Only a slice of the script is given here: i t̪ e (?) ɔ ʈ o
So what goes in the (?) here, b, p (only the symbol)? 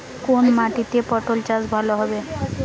p